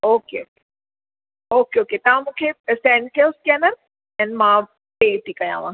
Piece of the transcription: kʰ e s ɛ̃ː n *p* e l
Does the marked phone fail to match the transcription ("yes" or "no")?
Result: yes